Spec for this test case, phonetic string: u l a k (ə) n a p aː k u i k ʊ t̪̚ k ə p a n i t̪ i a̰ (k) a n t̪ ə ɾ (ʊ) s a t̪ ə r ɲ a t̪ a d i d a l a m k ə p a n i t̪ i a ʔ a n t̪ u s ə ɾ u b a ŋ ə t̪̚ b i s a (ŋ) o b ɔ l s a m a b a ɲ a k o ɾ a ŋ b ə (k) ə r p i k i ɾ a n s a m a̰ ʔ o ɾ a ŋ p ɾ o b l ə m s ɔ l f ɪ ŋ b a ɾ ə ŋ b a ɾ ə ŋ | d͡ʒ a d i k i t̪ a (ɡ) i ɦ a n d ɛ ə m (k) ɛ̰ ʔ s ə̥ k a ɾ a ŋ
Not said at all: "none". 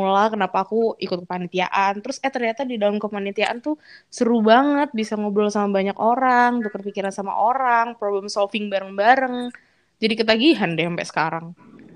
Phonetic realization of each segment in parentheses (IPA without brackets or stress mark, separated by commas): ə, ʔ, ʊ, ŋ, k, ɡ, p